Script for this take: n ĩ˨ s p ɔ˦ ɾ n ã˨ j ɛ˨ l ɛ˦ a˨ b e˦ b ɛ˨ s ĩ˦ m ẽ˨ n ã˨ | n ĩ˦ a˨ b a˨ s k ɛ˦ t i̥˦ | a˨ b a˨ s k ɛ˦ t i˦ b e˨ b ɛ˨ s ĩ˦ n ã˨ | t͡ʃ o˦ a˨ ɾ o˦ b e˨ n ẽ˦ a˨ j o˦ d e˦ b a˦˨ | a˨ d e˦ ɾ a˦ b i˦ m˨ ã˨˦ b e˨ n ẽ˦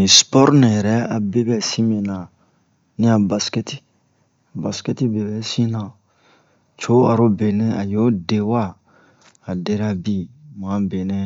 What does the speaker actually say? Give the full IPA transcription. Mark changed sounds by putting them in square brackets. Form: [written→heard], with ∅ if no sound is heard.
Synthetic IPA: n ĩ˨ s p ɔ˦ ɾ n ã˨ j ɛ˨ [l→ɾ] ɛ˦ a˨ b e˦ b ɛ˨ s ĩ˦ m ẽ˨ n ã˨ | n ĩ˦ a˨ b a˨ s k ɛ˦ t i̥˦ | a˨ b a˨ s k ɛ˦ t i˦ b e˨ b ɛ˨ s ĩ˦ n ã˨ | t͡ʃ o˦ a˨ ɾ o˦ b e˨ n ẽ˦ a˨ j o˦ d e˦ [b→w] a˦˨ | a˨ d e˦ ɾ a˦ b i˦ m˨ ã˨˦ b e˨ n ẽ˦